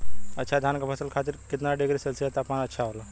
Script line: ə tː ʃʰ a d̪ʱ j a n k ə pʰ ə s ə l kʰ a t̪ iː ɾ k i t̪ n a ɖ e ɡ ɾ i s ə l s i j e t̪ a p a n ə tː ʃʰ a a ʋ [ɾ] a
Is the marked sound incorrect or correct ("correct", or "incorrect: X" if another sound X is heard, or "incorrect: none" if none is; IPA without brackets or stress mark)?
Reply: incorrect: l